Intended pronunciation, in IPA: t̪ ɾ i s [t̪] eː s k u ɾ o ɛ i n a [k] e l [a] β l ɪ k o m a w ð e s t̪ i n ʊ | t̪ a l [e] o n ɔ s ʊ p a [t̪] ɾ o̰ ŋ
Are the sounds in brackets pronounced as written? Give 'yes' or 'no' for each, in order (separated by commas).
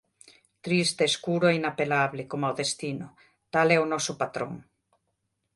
yes, no, yes, no, yes